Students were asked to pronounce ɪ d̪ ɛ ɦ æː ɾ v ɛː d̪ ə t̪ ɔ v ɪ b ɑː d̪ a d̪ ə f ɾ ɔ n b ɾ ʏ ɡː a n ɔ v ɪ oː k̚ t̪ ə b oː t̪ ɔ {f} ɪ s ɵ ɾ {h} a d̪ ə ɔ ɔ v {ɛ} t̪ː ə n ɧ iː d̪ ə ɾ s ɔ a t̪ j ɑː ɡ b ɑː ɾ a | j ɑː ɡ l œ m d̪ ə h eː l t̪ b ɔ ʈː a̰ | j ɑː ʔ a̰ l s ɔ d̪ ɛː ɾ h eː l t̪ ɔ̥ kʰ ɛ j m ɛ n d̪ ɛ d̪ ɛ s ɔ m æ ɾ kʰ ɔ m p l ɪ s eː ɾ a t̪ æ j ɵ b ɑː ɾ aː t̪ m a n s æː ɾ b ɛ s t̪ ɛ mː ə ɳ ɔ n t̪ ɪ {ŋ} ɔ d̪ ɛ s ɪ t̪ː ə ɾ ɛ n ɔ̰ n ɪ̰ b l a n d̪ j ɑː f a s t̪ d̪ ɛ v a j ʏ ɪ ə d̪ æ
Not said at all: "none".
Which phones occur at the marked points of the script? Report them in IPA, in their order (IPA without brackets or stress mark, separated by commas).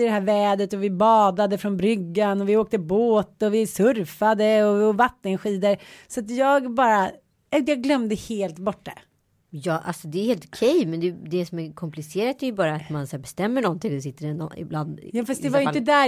v, f, a, ŋ